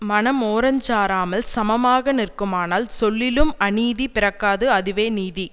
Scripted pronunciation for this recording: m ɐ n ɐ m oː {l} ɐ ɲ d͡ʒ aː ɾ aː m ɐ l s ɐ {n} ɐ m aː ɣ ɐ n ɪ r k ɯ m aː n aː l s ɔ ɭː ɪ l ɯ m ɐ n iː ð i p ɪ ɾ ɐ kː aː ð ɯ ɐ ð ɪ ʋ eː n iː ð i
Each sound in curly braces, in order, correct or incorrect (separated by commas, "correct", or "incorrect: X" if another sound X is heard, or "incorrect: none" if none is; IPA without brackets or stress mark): incorrect: ɾ, incorrect: m